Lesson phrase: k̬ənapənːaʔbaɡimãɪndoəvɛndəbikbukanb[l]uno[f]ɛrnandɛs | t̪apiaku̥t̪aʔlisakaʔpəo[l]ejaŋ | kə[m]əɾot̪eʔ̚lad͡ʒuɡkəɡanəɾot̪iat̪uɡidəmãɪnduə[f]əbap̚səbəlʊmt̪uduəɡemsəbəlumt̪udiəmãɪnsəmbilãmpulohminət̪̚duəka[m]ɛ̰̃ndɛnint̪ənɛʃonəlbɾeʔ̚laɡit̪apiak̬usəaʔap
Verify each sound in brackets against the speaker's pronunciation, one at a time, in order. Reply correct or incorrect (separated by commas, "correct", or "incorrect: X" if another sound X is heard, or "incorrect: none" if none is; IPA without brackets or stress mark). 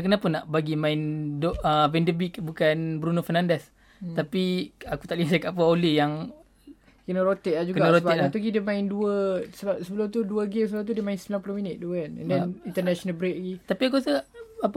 incorrect: ɾ, correct, correct, incorrect: n, incorrect: s, incorrect: n